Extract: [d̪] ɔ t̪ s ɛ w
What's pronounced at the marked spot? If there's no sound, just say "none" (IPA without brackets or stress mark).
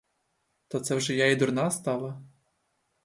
t̪